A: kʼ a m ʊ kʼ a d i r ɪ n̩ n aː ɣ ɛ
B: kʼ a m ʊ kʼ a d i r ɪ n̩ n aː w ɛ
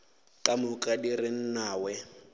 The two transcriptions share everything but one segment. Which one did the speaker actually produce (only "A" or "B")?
B